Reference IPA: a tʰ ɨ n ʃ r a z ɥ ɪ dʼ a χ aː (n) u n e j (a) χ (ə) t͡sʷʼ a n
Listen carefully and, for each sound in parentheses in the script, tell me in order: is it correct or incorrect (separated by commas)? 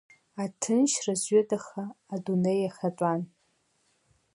incorrect, correct, incorrect